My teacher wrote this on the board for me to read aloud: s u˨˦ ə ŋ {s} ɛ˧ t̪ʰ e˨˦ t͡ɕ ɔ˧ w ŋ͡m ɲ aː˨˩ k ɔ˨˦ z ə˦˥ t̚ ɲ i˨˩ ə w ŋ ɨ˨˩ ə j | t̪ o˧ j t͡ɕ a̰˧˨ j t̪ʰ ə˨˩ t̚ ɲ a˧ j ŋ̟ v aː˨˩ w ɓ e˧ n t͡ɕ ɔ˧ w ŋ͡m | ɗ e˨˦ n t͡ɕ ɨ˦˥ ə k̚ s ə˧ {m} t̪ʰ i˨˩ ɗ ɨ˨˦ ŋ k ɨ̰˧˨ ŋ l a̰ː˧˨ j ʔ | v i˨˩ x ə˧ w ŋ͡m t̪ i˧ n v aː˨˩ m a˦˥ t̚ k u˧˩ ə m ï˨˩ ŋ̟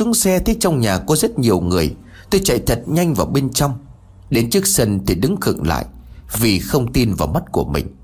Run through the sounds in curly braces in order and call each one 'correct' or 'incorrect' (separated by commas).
correct, incorrect